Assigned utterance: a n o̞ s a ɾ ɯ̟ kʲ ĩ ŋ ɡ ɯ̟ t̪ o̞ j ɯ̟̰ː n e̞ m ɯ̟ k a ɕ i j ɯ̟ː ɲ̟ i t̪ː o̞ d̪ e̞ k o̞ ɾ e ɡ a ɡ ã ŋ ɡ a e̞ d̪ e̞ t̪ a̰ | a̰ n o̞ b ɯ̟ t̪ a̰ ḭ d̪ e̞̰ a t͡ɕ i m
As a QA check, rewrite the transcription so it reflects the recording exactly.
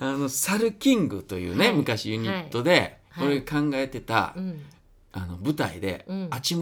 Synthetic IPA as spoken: a n o̞ s a ɾ ɯ̟ kʲ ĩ ŋ ɡ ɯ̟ t̪ o̞ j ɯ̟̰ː n e̞ m ɯ̟ k a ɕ i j ɯ̟ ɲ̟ i t̪ː o̞ d̪ e̞ k o̞ ɾ e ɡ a k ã ŋ ɡ a e̞ t̪ e̞ t̪ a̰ | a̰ n o̞ b ɯ̟ t̪ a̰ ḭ d̪ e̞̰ a t͡ɕ i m